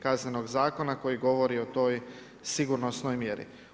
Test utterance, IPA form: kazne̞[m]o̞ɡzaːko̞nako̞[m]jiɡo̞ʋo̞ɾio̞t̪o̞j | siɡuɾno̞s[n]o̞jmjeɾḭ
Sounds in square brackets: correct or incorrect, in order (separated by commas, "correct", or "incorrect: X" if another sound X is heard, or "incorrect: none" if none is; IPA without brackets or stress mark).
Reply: incorrect: n, incorrect: none, correct